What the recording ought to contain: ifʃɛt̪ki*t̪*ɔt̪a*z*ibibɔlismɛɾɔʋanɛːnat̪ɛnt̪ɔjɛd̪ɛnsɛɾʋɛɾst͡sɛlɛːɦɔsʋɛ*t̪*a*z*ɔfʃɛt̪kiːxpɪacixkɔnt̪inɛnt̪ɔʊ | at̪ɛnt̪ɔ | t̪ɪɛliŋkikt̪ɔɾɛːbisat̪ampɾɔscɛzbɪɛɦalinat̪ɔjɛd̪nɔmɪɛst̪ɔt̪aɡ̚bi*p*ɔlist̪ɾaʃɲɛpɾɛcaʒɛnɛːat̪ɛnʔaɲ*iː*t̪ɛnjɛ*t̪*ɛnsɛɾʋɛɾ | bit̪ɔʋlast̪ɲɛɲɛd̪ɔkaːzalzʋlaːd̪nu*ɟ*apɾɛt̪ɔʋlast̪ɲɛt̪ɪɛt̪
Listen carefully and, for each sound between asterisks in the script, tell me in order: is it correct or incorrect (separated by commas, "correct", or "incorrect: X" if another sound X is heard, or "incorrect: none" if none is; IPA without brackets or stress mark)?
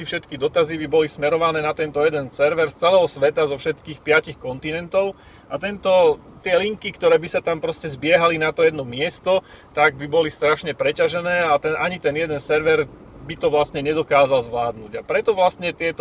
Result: incorrect: d̪, correct, correct, correct, incorrect: b, incorrect: i, incorrect: d̪, correct